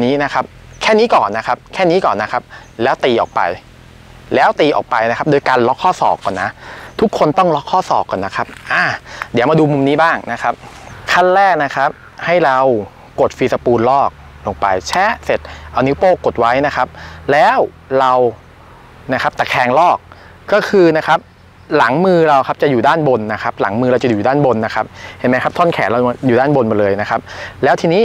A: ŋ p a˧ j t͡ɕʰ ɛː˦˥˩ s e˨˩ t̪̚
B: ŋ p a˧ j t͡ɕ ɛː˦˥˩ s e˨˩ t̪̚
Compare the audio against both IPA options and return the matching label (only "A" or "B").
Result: A